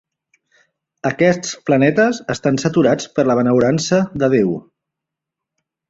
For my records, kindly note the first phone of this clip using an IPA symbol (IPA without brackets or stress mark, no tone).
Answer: ə